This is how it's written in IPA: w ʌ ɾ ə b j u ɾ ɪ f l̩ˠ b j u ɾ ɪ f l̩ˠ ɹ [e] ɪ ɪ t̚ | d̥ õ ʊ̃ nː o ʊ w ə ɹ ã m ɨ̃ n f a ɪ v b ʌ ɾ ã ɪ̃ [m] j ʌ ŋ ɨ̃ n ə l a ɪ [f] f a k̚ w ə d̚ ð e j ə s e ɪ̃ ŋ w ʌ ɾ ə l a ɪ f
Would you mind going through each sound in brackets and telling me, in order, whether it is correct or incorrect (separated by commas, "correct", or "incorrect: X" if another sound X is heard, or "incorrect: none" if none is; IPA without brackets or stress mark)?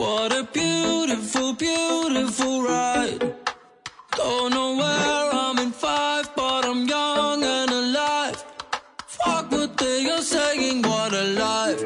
incorrect: a, correct, correct